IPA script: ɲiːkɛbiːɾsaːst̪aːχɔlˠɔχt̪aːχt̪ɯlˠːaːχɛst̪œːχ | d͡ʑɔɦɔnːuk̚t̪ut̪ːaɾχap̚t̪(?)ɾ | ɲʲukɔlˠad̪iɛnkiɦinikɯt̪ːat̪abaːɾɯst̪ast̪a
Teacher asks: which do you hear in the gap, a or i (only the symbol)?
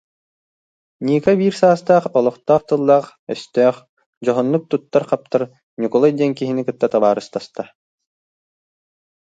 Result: a